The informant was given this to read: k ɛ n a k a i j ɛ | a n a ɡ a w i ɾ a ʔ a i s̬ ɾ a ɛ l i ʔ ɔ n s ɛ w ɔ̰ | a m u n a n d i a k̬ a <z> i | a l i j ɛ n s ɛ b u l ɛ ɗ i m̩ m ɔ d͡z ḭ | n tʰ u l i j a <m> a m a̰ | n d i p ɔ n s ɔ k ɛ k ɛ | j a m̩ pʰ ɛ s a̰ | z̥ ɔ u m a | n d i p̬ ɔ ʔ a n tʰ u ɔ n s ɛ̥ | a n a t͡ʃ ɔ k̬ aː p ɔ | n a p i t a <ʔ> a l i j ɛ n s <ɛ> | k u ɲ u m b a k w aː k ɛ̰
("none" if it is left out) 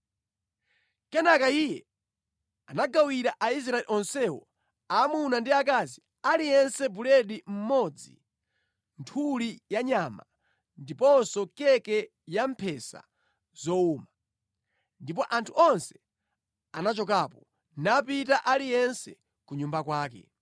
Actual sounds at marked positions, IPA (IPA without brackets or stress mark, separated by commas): z, ɲ, ʔ, ɛ